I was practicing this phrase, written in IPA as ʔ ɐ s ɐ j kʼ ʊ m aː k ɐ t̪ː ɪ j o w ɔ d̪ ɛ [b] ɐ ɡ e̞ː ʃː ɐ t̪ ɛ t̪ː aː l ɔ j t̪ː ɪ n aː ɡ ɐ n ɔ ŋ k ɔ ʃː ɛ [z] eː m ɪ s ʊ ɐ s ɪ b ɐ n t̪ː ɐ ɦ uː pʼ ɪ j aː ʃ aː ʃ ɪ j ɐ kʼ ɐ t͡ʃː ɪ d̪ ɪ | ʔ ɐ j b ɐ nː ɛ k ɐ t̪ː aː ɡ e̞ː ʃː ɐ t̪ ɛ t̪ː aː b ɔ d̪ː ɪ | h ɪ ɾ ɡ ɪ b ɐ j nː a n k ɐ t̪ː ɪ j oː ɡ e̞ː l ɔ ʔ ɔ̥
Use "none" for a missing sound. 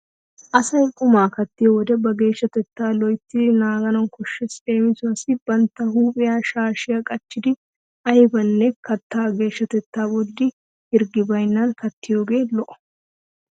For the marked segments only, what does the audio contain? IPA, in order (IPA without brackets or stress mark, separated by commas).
b, s